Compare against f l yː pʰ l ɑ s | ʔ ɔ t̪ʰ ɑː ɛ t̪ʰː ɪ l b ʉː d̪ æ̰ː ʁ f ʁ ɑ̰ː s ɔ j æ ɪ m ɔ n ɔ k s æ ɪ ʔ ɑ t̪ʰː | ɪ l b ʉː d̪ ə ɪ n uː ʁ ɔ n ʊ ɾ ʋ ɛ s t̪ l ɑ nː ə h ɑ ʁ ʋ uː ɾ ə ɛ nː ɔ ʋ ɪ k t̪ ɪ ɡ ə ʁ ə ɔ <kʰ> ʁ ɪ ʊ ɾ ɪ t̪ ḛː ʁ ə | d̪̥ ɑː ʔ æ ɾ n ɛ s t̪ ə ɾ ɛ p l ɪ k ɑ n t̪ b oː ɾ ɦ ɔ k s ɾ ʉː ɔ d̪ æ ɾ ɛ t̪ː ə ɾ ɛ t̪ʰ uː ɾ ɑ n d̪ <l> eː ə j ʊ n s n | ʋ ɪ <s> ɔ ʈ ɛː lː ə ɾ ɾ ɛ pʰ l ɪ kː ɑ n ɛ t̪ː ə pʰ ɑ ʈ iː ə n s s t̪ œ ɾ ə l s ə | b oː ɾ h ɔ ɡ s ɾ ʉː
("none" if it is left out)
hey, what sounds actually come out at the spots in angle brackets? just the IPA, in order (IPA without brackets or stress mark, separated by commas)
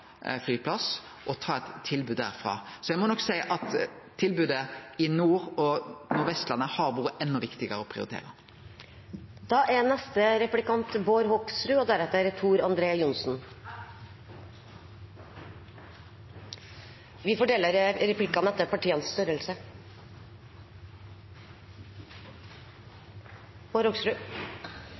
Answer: pʰ, ɾ, f